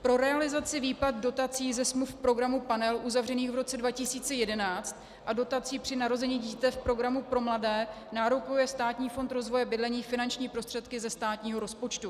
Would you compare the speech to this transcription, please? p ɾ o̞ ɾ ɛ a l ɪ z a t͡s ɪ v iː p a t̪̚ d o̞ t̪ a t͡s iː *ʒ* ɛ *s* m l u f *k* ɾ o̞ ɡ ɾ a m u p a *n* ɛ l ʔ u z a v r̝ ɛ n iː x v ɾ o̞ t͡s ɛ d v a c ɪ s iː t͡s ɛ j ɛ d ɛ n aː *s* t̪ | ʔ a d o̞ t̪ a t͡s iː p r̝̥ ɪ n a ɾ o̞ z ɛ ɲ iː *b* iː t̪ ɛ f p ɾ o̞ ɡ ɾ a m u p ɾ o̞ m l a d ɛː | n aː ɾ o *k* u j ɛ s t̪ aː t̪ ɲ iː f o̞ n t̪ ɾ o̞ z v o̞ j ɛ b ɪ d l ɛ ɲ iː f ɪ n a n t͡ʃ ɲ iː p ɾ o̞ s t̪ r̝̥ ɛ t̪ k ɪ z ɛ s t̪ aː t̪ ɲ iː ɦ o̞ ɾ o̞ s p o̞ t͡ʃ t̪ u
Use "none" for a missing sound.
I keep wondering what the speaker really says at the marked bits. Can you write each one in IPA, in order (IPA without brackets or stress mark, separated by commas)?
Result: z, s, p, n, t͡s, ɟ, k